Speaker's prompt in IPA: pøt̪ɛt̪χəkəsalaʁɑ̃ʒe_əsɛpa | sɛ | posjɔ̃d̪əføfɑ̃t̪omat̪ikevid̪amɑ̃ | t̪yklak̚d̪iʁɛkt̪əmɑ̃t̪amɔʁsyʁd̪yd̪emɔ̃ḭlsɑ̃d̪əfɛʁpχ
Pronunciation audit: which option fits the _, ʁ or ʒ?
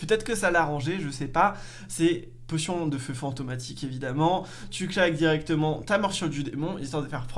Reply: ʒ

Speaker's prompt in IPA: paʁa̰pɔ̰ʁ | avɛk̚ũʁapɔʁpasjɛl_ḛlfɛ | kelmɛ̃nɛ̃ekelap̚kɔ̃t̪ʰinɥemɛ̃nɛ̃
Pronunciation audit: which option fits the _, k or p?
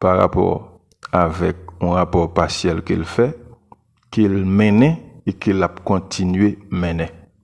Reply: k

